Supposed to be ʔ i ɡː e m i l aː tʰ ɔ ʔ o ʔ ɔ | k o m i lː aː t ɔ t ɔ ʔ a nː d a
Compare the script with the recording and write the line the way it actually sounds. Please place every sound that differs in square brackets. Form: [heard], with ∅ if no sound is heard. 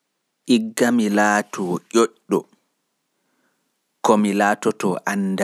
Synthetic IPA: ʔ i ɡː [a] m i l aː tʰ ɔ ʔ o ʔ ɔ | k [ɔ] m i [l] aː t ɔ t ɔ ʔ a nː d a